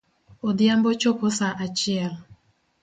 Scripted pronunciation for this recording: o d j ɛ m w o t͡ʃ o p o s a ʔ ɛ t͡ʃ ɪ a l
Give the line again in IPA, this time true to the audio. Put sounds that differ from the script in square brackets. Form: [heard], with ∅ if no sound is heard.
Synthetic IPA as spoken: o d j [a] m [b] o t͡ʃ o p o s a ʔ [a] t͡ʃ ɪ [ɛ] l